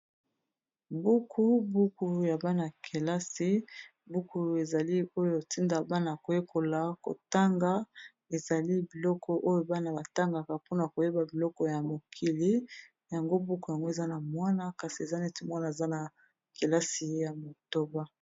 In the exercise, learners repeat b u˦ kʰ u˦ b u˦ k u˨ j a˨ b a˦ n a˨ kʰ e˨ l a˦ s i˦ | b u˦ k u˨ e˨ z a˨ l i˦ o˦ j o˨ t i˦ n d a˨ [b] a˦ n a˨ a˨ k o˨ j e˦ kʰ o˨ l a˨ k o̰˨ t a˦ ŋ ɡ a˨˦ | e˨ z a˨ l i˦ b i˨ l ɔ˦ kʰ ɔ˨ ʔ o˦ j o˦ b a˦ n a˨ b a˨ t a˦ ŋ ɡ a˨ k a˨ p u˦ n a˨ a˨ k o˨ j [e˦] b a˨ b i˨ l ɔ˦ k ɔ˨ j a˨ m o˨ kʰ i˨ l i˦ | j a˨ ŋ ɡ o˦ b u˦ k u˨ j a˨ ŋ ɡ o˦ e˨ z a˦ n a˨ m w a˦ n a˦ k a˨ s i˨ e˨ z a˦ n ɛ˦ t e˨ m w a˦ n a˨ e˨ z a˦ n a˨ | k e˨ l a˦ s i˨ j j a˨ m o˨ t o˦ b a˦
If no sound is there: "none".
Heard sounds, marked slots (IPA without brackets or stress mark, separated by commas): b, e˦